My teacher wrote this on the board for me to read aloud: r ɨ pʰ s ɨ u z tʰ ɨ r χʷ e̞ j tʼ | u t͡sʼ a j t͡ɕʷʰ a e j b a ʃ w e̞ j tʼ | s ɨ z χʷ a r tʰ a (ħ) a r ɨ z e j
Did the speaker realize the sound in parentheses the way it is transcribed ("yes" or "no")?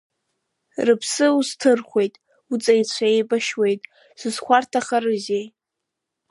no